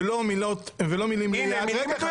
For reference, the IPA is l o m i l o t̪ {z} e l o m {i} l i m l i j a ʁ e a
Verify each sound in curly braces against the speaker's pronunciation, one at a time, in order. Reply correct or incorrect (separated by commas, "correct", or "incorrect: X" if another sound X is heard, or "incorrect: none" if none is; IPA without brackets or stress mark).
incorrect: v, correct